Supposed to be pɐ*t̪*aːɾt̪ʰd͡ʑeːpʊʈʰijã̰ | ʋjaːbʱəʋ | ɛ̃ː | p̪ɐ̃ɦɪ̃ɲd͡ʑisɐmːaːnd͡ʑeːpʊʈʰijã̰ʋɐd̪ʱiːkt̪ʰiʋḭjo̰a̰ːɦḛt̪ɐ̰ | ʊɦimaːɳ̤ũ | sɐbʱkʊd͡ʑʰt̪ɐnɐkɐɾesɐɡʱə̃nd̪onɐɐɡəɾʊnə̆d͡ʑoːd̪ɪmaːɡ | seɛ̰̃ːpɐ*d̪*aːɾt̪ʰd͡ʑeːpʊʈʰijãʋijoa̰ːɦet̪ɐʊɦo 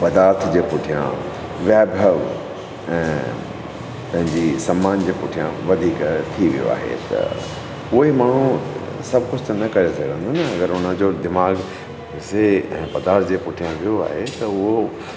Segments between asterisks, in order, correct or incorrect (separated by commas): incorrect, correct